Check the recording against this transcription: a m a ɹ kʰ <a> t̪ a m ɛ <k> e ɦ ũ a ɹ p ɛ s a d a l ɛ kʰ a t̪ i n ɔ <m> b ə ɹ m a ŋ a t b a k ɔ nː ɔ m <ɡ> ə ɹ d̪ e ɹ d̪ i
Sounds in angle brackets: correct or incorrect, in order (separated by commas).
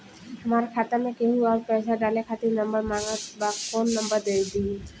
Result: correct, correct, correct, incorrect